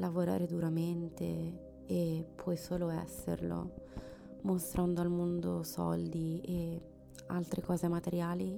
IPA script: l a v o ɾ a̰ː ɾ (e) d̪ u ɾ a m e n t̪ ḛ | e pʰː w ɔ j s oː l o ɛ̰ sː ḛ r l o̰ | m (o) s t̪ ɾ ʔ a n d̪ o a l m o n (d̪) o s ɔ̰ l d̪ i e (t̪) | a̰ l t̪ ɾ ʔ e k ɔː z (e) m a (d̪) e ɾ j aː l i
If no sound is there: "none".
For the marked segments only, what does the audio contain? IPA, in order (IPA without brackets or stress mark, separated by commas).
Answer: e, o, d̪, none, e, t̪